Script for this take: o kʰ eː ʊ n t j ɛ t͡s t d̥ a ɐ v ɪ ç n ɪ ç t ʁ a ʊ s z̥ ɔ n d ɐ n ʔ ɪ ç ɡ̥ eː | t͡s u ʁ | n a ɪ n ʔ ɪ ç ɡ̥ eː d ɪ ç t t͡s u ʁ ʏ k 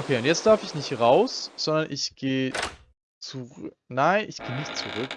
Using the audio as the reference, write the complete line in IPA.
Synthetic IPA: o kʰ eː ʊ n t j ɛ t͡s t d̥ a ɐ f ɪ ç n ɪ ç t ʁ a ʊ s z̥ ɔ n d ɐ n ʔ ɪ ç ɡ̥ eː | t͡s u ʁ | n a ɪ n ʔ ɪ ç ɡ̥ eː n ɪ ç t t͡s u ʁ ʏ k